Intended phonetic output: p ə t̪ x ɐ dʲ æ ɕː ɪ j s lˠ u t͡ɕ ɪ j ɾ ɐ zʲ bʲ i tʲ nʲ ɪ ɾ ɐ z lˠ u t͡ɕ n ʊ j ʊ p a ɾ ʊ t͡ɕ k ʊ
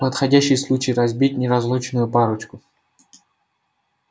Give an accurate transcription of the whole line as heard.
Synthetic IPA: p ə t̪ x ɐ dʲ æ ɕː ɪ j s lˠ u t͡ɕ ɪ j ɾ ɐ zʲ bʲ i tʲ nʲ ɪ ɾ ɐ z lˠ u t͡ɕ n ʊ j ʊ p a ɾ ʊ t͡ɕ k ʊ